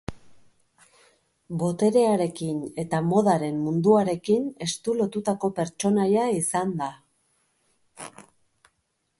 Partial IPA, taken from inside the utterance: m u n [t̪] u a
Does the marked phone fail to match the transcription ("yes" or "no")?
yes